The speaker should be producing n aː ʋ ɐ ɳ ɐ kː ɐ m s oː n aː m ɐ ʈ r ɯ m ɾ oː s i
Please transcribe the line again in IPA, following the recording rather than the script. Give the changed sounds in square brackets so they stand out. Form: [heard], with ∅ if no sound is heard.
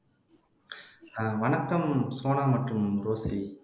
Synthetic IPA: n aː ʋ ɐ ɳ ɐ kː ɐ m s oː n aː m ɐ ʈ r ɯ m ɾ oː s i